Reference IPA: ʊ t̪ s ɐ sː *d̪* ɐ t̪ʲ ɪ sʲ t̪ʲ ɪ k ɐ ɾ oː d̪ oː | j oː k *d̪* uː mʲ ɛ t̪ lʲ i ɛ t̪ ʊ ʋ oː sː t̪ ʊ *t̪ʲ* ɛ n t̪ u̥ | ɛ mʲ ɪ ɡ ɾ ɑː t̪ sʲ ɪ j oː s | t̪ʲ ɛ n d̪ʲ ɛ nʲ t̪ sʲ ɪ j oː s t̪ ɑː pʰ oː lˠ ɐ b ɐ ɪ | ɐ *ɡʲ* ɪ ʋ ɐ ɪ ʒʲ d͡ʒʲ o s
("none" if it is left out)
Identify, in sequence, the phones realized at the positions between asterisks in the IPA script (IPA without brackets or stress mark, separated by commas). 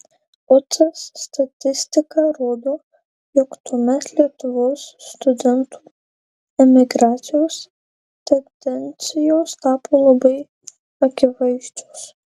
t̪, t̪, d̪ʲ, kʲ